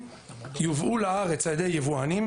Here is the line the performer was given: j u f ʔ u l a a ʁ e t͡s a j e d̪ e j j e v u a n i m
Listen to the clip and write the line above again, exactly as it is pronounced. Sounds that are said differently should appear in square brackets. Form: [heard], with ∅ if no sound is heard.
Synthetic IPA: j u [v] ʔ u l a a ʁ e t͡s a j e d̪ e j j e v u a n i m